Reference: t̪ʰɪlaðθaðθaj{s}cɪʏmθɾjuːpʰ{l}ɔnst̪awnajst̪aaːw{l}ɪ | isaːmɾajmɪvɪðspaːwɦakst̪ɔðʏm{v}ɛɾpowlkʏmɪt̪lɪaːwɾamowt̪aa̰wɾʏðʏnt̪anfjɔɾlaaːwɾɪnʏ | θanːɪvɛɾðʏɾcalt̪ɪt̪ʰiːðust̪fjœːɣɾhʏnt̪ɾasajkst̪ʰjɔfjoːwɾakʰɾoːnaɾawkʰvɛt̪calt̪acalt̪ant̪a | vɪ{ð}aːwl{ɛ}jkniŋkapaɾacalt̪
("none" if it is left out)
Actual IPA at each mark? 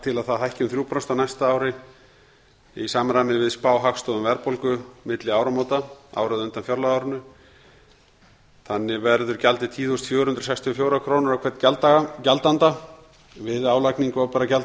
h, ɾ, ɾ, v, ð, a

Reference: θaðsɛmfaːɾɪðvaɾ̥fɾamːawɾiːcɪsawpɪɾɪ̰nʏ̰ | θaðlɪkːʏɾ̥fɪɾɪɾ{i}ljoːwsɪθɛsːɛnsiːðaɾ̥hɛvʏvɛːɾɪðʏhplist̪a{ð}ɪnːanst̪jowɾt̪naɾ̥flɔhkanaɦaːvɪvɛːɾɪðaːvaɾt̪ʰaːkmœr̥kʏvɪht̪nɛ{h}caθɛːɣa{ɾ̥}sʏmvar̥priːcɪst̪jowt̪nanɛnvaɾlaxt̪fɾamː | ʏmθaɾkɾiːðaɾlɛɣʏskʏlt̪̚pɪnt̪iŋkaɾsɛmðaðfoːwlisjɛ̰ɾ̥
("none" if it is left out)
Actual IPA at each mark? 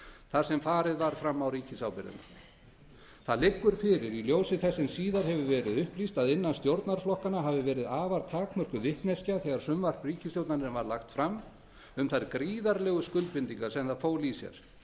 i, ð, s, ɾ̥

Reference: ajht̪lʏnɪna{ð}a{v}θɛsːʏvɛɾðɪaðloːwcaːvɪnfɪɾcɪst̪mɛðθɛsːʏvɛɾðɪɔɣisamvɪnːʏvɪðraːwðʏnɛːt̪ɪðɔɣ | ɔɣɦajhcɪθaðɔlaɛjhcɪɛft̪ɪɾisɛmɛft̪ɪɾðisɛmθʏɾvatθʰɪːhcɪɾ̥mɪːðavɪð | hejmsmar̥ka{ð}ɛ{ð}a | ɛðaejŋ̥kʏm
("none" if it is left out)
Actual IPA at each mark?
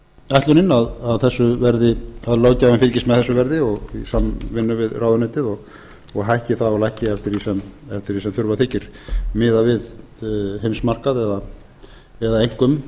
ð, ð, ð, ð

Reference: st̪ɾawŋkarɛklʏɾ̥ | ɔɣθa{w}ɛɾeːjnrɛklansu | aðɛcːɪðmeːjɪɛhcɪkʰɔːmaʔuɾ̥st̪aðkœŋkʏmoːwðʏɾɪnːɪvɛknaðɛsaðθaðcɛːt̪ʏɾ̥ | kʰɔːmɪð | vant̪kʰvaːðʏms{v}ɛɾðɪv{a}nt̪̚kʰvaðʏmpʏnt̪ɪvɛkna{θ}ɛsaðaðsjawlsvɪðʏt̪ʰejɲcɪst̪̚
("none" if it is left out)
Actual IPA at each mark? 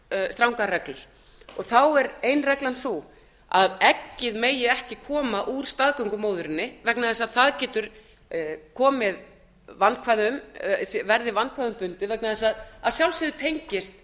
w, v, a, ð

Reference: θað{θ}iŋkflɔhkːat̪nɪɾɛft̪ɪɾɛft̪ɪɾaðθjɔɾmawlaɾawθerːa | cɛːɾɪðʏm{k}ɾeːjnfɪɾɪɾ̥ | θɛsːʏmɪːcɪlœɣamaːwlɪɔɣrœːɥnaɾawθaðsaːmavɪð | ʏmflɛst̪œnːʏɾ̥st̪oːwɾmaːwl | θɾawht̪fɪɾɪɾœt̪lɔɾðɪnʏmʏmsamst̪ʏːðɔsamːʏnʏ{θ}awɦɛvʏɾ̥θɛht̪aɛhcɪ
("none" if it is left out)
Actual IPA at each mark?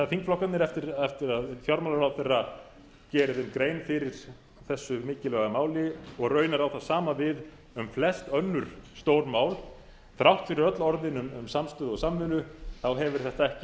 f, k, θ

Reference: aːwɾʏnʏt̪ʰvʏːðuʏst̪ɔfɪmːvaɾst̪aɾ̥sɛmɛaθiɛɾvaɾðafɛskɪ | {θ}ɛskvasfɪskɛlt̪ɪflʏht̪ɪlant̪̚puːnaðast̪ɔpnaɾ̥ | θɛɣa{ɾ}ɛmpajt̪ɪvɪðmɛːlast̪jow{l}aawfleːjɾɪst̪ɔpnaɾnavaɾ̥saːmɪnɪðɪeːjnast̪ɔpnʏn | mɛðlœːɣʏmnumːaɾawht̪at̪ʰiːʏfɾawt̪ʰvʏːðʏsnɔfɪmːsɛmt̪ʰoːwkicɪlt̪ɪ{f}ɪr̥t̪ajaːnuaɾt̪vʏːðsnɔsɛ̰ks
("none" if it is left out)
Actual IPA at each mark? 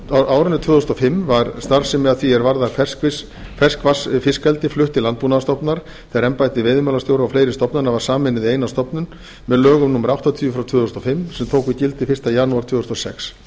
f, ɾ, ɾ, f

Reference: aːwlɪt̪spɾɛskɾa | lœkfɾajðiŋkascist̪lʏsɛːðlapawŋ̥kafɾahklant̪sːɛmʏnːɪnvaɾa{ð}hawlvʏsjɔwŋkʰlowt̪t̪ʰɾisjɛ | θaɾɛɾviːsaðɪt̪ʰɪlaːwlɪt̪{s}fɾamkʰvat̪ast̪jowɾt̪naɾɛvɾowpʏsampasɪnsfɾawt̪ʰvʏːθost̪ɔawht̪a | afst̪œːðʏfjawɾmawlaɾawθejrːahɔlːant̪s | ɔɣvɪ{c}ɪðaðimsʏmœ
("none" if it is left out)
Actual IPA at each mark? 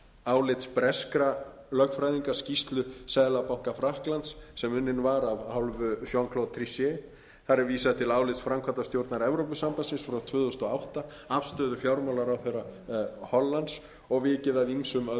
v, s, c

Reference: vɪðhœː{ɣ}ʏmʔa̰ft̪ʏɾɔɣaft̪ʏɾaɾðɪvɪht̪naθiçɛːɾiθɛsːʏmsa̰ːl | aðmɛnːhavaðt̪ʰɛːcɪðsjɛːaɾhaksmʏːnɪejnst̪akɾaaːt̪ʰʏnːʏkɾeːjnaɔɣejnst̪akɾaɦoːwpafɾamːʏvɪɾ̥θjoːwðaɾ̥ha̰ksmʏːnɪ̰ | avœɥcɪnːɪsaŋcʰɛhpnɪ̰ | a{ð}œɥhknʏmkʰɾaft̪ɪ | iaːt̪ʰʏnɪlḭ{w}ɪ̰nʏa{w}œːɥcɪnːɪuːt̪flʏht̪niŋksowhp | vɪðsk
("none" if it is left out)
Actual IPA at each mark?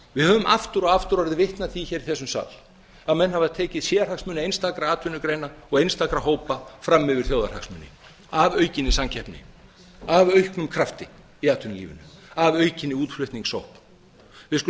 v, v, v, v

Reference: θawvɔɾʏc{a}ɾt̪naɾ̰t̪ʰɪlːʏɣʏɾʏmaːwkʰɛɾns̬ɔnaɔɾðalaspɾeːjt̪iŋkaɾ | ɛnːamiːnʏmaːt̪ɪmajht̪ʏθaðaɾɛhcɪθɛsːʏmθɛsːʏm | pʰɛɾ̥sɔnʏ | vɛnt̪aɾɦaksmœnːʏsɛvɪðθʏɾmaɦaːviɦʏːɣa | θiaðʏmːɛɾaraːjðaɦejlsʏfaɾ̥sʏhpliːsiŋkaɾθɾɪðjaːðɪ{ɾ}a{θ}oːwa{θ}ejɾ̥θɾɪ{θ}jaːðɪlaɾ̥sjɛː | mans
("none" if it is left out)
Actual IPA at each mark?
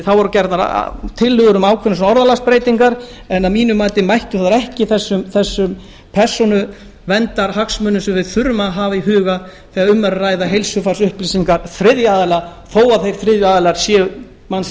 ɛ, l, θ, θ, ð

